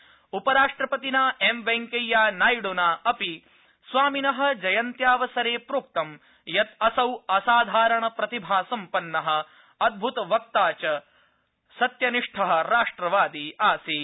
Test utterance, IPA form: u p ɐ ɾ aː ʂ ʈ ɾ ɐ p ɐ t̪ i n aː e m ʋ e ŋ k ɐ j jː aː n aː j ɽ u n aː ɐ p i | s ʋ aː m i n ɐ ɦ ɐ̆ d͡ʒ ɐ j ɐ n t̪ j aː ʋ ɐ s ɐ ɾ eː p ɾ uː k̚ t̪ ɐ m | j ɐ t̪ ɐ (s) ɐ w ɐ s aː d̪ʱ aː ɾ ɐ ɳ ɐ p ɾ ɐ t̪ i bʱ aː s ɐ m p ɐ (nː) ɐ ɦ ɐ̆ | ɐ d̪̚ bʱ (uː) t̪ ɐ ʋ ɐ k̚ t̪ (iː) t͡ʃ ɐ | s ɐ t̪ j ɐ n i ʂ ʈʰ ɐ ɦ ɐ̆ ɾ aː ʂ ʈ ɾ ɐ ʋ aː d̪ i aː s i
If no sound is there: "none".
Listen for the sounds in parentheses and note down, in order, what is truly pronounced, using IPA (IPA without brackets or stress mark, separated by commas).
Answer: s, nː, u, aː